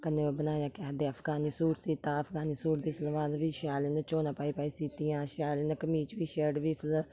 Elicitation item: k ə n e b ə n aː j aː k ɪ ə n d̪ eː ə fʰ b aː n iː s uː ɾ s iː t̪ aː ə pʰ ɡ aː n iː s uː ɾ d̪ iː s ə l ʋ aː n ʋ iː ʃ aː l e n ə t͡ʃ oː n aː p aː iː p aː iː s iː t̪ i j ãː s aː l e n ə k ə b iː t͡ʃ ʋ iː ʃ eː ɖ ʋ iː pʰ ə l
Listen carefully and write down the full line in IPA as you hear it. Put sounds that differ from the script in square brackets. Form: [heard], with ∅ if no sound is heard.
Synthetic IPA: k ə n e b ə n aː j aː k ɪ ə [∅] d̪ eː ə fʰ [ɡ] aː n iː s uː ɾ s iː t̪ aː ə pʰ ɡ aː n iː s uː ɾ d̪ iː s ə l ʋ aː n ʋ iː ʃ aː l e n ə t͡ʃ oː n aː p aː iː p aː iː s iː t̪ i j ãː [ʃ] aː l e n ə k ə [m] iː t͡ʃ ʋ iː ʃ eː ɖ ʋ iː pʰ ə l